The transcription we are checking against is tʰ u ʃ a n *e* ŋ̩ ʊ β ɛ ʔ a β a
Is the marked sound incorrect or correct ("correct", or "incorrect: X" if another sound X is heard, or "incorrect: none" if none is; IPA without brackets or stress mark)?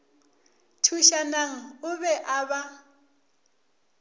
incorrect: a